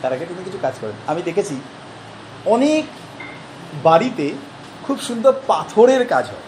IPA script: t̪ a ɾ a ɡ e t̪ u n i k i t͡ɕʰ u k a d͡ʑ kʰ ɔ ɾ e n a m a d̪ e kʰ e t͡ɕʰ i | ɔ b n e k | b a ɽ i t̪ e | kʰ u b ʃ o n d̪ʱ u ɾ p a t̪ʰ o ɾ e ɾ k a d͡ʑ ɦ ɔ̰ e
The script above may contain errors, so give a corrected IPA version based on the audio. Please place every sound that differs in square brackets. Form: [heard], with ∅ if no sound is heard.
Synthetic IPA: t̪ a ɾ a ɡ e t̪ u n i k i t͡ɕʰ u k a d͡ʑ [k] ɔ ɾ e n a m [i] d̪ e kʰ e t͡ɕʰ i | ɔ [∅] n e k | b a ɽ i t̪ e | kʰ u b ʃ [u] n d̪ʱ [o] ɾ p a t̪ʰ o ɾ e ɾ k a d͡ʑ ɦ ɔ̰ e